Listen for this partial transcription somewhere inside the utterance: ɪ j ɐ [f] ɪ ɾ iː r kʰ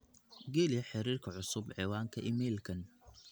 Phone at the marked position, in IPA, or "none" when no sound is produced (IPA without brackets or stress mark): ħ